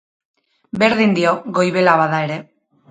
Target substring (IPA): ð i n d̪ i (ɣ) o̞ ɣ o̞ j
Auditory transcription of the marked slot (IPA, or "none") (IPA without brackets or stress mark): none